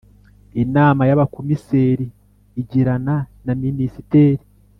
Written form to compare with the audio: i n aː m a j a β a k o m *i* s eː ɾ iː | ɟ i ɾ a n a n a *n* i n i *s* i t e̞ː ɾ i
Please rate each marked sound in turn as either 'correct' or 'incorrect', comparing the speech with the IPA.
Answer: correct, incorrect, correct

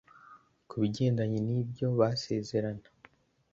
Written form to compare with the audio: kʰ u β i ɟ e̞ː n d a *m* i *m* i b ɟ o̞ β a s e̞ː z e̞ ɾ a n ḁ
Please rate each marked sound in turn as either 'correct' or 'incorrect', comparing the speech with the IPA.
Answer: incorrect, incorrect

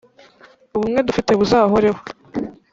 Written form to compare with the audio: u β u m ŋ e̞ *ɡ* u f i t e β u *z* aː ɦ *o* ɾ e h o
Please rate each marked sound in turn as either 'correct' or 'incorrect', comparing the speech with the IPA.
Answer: incorrect, correct, correct

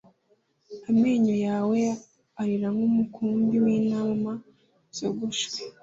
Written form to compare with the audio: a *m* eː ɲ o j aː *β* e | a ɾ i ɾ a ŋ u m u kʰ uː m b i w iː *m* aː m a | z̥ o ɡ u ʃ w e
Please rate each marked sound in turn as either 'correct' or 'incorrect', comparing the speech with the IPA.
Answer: correct, incorrect, incorrect

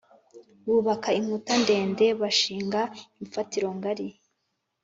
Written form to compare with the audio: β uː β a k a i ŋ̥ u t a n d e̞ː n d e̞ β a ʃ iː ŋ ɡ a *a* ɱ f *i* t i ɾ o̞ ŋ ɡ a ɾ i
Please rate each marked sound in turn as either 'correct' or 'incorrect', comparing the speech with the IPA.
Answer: incorrect, incorrect

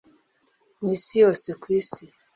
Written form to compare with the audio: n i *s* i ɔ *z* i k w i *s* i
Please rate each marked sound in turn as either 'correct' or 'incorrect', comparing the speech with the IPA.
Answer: correct, incorrect, correct

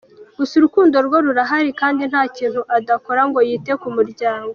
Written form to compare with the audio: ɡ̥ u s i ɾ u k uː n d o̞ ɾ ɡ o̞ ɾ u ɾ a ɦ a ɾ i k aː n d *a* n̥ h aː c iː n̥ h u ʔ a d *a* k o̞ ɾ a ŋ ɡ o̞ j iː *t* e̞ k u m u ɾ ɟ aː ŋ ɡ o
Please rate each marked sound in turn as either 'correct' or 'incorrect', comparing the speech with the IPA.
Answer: incorrect, correct, correct

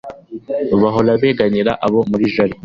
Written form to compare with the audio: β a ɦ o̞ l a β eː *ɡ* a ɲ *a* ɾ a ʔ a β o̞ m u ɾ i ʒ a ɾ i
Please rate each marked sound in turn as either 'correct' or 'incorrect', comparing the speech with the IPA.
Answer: correct, incorrect

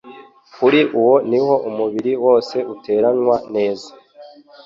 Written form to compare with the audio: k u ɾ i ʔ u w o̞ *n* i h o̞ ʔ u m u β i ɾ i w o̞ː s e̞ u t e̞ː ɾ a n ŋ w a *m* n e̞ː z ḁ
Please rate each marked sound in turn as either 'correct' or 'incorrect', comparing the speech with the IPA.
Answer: correct, incorrect

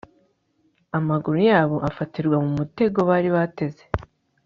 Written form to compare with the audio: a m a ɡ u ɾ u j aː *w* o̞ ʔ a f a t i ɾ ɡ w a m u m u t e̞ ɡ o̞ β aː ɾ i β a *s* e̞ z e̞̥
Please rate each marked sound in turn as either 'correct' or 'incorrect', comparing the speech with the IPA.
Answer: incorrect, incorrect

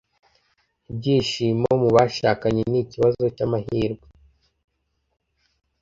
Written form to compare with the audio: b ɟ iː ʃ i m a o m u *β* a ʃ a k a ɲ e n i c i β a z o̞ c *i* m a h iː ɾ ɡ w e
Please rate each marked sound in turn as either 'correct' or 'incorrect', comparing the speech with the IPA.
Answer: correct, incorrect

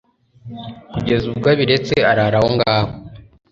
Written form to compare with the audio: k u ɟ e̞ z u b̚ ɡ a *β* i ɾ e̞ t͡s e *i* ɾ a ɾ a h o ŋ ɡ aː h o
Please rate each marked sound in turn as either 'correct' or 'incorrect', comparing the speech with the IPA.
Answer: correct, incorrect

